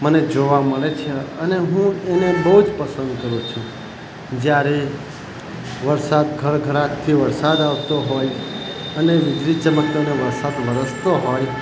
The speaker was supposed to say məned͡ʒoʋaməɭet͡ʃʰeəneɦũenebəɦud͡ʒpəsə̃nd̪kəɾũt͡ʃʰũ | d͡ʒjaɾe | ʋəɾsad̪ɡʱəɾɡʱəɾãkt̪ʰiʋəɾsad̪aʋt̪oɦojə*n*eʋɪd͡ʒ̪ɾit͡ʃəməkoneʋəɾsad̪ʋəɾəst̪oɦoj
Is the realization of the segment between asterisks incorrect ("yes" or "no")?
no